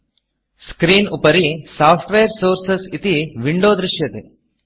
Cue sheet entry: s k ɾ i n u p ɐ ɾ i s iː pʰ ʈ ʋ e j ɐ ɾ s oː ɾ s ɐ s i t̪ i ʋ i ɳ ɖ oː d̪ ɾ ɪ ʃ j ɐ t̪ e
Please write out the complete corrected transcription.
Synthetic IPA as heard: s k ɾ iː n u p ɐ ɾ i s aː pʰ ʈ ʋ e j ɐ ɾ s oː ɾ s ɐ s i t̪ i ʋ i ɳ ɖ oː d̪ ɾ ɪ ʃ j ɐ t̪ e